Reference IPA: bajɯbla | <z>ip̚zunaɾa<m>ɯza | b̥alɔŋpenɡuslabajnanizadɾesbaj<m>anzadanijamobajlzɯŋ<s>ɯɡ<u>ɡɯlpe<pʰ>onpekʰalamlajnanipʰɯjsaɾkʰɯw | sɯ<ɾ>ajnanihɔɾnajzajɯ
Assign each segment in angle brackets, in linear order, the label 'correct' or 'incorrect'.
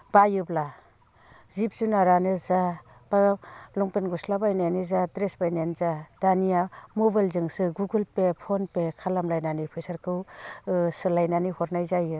correct, incorrect, incorrect, correct, correct, correct, incorrect

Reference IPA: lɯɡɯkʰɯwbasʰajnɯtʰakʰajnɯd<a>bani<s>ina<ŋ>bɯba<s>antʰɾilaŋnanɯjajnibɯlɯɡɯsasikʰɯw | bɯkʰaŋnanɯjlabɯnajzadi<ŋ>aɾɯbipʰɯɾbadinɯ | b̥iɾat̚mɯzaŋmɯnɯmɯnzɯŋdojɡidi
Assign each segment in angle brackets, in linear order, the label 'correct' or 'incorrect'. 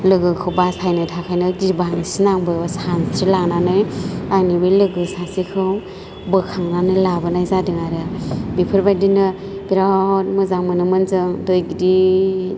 incorrect, correct, correct, correct, correct

